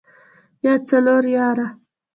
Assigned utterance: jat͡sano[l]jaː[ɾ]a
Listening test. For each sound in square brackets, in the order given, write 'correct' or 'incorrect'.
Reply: incorrect: ɾ, correct

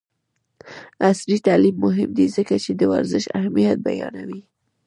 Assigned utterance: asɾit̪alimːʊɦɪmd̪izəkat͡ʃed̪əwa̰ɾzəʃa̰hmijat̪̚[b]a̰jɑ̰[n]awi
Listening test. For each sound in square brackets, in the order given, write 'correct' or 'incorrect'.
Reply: correct, correct

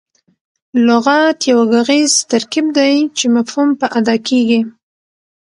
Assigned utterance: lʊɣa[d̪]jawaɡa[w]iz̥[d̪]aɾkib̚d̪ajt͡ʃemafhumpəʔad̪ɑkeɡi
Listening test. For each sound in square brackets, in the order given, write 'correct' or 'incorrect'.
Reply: incorrect: t̪, incorrect: ɣ, incorrect: t̪

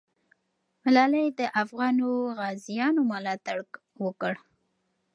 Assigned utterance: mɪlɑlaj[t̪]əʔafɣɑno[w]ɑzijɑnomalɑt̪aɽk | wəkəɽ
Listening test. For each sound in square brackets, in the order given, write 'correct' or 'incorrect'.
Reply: incorrect: d̪, incorrect: ɣ

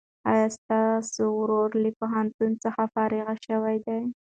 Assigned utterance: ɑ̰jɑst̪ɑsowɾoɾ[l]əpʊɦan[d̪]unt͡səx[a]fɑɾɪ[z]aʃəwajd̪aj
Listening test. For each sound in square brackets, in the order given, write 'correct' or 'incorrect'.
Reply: correct, incorrect: t̪, correct, incorrect: ɣ

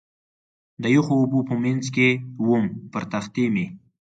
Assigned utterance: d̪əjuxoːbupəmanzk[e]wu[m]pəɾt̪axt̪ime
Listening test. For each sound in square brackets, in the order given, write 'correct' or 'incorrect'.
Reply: correct, correct

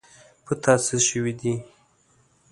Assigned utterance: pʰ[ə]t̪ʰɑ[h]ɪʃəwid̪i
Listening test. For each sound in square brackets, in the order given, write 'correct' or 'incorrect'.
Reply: correct, incorrect: s

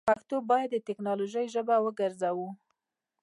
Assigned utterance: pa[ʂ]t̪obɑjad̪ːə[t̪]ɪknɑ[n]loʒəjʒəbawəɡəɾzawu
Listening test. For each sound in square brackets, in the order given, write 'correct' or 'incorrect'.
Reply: incorrect: x, correct, incorrect: none

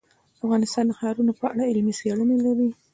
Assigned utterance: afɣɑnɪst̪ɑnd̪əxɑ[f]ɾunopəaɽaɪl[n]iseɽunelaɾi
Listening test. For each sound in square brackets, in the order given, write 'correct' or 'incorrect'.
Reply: incorrect: none, incorrect: m

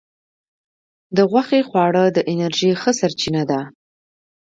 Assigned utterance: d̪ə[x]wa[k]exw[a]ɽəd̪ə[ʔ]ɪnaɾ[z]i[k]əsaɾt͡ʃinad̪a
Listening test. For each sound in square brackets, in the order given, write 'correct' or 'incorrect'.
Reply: incorrect: ɣ, incorrect: x, incorrect: ɑ, correct, incorrect: ʒ, incorrect: x

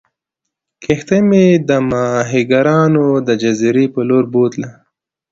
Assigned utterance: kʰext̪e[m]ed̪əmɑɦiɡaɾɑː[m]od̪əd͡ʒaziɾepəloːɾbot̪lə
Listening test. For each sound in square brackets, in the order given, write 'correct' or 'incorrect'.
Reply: correct, incorrect: n

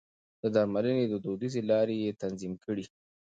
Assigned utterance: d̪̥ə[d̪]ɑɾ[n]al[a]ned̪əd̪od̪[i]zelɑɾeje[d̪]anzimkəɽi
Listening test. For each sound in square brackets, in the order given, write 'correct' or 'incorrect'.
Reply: correct, incorrect: m, incorrect: ə, correct, incorrect: t̪

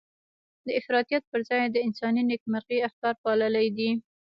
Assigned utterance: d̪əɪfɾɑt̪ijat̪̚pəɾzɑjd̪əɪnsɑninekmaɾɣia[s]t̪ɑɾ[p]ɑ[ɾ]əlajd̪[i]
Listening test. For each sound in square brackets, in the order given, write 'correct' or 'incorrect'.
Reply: incorrect: x, correct, incorrect: l, correct

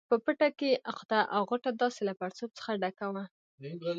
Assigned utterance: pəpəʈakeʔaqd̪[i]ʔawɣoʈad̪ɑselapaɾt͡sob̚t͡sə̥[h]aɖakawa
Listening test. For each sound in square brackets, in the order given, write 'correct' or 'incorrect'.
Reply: incorrect: a, incorrect: x

